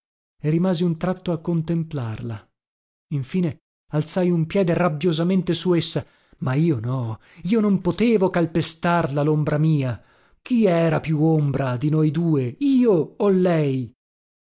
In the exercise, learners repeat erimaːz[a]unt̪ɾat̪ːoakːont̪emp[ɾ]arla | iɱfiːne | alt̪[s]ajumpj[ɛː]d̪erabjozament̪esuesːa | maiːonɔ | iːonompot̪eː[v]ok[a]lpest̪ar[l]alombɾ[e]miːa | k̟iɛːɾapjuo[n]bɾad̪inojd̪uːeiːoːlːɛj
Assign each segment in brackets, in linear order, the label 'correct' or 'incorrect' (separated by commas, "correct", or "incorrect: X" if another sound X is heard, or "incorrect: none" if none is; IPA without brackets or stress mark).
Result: incorrect: i, incorrect: l, correct, correct, correct, correct, correct, incorrect: a, incorrect: m